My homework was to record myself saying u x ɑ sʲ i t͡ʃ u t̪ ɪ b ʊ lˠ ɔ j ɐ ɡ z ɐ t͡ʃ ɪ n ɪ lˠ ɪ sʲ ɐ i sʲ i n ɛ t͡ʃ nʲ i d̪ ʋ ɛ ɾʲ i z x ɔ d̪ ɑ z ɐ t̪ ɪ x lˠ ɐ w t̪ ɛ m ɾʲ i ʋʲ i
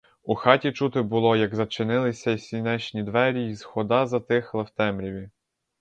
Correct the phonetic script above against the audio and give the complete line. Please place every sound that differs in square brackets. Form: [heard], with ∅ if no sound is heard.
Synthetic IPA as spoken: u x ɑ [tʲ] i t͡ʃ u t̪ ɪ b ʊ lˠ ɔ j ɐ ɡ z ɐ t͡ʃ ɪ n ɪ lˠ ɪ sʲ ɐ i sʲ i n ɛ t͡ʃ nʲ i d̪ ʋ ɛ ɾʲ i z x ɔ d̪ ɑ z ɐ t̪ ɪ x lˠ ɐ w t̪ ɛ m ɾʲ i ʋʲ i